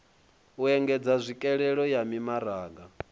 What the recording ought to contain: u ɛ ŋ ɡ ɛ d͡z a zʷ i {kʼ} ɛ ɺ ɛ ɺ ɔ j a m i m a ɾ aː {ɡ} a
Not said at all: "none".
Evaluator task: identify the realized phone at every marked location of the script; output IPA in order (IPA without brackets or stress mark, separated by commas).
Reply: kʼ, ɡ